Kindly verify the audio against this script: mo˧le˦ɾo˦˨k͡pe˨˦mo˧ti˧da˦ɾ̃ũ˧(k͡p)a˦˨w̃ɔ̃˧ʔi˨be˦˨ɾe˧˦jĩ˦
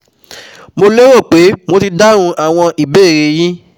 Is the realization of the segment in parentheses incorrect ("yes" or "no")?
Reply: yes